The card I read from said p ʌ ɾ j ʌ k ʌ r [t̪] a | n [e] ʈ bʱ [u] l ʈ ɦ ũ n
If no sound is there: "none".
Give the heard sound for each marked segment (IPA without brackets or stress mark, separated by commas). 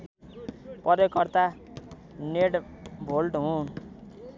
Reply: t̪, e, o